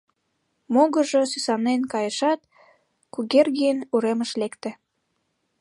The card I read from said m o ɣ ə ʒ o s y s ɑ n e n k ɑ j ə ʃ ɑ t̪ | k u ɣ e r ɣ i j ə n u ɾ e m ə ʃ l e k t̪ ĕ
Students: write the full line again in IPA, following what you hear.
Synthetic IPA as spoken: m o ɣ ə ʒ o s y s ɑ n e n k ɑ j ə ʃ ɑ t̪ | k u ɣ e r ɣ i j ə n u ɾ e m ə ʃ l e k t̪ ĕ